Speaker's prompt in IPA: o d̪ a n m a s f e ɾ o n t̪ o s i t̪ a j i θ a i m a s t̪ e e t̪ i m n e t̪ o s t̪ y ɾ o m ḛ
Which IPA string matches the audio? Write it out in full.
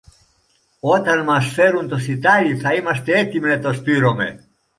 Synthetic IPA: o t̪ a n m a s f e ɾ u n t̪ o s i t̪ a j i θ a i m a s t̪ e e t̪ i m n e t̪ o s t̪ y ɾ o m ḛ

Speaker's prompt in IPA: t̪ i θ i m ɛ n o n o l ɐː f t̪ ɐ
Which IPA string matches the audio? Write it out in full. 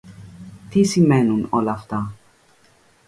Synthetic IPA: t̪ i s i m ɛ n u n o l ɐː f t̪ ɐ

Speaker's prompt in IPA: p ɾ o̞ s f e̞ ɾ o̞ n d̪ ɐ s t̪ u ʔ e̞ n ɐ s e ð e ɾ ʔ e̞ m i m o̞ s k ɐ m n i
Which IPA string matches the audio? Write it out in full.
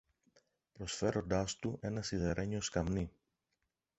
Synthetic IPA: p ɾ o̞ s f e̞ ɾ o̞ n d̪ ɐ s t̪ u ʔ e̞ n ɐ s i ð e ɾ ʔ e̞ ɲ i o̞ s k ɐ m n i

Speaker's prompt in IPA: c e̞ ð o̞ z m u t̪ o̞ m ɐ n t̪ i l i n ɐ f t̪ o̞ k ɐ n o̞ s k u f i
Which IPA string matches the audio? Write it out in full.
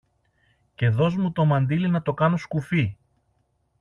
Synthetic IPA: c e̞ ð o̞ z m u t̪ o̞ m ɐ n d̪ i l i n ɐ t̪ o̞ k ɐ n o̞ s k u f i

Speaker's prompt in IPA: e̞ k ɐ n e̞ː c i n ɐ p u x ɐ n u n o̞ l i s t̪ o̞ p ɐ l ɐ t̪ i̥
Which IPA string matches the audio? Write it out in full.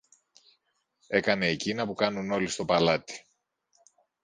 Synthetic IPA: e̞ k ɐ n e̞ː c i n ɐ p u k ɐ n u n o̞ l i s t̪ o̞ p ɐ l ɐ t̪ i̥

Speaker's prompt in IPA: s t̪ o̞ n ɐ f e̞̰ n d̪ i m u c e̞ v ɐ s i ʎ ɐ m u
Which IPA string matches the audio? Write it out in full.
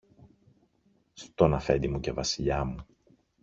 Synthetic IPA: s t̪ o̞ n ɐ f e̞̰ n d̪ i m u c e̞ v ɐ s i ʎ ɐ m u

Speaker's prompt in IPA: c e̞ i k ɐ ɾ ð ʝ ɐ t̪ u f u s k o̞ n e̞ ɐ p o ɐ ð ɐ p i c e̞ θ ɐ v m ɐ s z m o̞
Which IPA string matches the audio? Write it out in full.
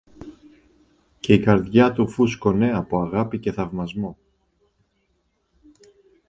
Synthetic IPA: c e̞ i k ɐ ɾ ð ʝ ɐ t̪ u f u s k o̞ n e̞ ɐ p o ɐ ɣ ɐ p i c e̞ θ ɐ v m ɐ z m o̞

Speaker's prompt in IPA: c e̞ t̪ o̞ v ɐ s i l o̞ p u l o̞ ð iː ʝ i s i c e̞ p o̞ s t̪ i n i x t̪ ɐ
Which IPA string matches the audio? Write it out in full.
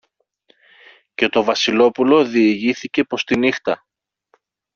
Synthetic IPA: c e̞ t̪ o̞ v ɐ s i l o̞ p u l o̞ ð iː ʝ i θ i c e̞ p o̞ s t̪ i n i x t̪ ɐ

